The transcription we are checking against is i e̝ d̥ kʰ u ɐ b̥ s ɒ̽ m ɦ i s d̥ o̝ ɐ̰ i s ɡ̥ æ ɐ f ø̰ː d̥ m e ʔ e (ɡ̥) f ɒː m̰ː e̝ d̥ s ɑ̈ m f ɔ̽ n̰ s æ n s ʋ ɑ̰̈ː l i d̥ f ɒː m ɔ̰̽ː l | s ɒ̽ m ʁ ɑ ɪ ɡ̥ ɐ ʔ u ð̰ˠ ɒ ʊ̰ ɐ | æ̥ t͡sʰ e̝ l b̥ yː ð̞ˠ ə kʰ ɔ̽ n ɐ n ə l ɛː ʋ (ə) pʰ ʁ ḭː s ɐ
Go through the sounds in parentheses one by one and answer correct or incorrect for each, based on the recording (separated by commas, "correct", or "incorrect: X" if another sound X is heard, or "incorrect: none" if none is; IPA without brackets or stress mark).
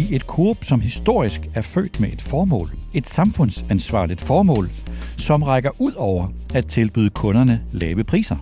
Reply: incorrect: d̥, correct